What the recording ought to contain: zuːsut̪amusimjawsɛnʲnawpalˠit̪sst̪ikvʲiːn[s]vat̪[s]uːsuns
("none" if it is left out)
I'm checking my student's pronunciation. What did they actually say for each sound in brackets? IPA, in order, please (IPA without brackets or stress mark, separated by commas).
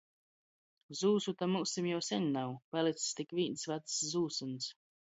s, z